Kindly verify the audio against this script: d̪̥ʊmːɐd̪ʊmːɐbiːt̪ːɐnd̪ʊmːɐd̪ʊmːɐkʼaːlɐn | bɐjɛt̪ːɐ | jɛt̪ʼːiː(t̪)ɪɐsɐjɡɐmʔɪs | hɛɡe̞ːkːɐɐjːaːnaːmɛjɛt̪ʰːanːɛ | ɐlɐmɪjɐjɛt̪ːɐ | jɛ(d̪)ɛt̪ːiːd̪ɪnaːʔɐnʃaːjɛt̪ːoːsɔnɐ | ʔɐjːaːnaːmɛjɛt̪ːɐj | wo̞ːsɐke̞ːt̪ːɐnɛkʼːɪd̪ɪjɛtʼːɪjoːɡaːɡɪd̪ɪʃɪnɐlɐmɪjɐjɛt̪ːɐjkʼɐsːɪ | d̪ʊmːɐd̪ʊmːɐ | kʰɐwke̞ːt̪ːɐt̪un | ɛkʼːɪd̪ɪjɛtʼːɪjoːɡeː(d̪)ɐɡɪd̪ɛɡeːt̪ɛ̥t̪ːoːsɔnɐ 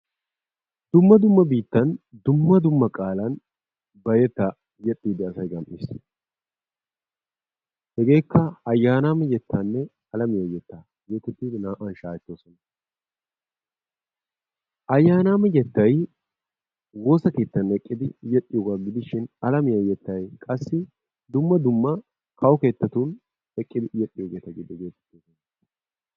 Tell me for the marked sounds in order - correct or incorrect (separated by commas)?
incorrect, incorrect, incorrect